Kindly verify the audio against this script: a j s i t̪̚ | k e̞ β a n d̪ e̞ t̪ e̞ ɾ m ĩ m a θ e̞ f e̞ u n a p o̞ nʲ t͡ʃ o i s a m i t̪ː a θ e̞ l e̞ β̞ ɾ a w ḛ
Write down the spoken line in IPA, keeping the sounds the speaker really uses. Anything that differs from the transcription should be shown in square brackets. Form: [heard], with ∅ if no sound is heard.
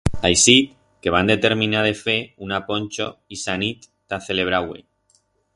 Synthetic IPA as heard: a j s i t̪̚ | k e̞ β a n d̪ e̞ t̪ e̞ ɾ m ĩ [n] a [ð] e̞ f e̞ u n a p o̞ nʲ t͡ʃ o i s a [n] i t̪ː a θ e̞ l e̞ β̞ ɾ a w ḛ

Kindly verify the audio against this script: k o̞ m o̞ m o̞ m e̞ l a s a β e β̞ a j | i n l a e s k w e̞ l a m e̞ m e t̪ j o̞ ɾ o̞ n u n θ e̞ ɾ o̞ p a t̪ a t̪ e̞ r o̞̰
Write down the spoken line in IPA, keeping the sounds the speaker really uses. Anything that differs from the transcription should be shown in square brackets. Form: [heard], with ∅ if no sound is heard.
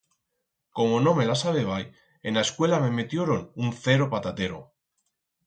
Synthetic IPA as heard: k o̞ m o̞ [n] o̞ m e̞ l a s a β e β̞ a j | [e] n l a e s k w e̞ l a m e̞ m e t̪ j o̞ ɾ o̞ n u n θ e̞ ɾ o̞ p a t̪ a t̪ e̞ [ɾ] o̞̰

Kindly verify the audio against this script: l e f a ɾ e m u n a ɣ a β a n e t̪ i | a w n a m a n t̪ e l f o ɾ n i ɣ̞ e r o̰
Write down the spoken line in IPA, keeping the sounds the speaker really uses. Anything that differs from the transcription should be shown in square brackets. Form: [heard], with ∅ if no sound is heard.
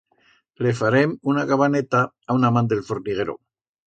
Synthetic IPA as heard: l e f a ɾ e m u n a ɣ a β a n e t̪ [a] | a w n a m a n [d̪] e l f o ɾ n i ɣ̞ e [ɾ] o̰

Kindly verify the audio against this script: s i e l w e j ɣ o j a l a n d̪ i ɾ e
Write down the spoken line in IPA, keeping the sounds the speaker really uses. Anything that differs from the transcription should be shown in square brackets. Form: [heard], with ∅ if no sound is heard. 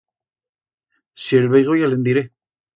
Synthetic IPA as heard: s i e l [β] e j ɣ o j a l [e] n d̪ i ɾ e

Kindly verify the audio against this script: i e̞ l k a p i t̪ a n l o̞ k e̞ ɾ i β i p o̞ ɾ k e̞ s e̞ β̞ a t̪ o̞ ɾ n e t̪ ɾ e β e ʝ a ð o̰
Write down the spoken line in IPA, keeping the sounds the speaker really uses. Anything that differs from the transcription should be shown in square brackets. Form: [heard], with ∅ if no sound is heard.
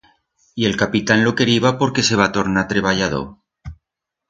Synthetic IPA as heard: i e̞ l k a p i t̪ a n l o̞ k e̞ ɾ i β [a] p o̞ ɾ k e̞ s e̞ β̞ a t̪ o̞ ɾ n [a] t̪ ɾ e β [a] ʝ a ð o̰

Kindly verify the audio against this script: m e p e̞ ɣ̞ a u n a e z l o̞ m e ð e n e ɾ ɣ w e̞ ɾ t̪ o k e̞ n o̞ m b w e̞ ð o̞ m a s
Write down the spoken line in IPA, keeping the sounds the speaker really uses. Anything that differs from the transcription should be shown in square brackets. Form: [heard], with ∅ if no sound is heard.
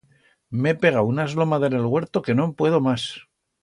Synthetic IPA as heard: m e p e̞ ɣ̞ a u n a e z l o̞ m [a] ð e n e [l] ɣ w e̞ ɾ t̪ o k e̞ n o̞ m [p] w e̞ ð o̞ m a s

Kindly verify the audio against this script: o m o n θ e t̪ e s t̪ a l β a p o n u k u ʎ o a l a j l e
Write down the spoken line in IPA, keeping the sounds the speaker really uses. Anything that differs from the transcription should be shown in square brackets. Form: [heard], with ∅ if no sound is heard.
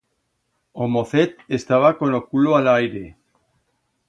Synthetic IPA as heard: o m o [∅] θ e t̪ e s t̪ a [∅] β a [k] o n [o] k u [l] o a l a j [ɾ] e

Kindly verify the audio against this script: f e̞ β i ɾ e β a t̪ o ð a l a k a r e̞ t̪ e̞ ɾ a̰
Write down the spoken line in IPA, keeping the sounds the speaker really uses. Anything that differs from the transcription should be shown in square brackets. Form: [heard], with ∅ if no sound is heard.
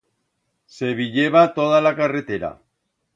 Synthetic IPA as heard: [s] e̞ β i [ʎ] e β a t̪ o ð a l a k a r e̞ t̪ e̞ ɾ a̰

